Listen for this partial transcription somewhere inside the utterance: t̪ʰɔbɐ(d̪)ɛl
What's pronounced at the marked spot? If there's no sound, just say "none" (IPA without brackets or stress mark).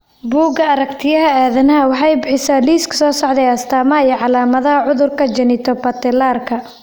t̪